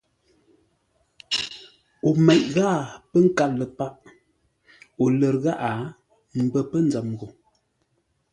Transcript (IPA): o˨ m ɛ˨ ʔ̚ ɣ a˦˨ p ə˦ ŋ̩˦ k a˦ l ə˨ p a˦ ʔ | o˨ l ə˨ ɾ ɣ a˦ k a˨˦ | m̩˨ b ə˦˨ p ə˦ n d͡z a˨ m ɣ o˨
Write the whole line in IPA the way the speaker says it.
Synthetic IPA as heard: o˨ m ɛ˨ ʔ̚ ɣ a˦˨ p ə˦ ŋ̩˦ k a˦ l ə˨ p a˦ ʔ | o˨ l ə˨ ɾ ɣ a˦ ʔ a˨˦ | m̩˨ b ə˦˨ p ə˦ n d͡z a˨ m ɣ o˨